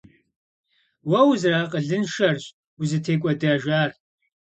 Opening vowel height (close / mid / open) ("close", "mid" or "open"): open